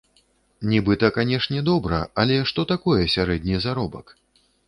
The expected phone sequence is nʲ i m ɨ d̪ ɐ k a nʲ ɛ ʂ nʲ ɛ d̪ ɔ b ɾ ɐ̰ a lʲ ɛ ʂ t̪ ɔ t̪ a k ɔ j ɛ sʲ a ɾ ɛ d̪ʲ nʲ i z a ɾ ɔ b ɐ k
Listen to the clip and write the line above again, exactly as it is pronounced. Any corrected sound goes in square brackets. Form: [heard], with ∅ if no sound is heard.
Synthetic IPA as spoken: nʲ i [b] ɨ [t̪] ɐ k a nʲ ɛ ʂ nʲ ɛ d̪ ɔ b ɾ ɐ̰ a lʲ ɛ ʂ t̪ ɔ t̪ a k ɔ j ɛ sʲ a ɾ ɛ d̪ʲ nʲ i z a ɾ ɔ b ɐ k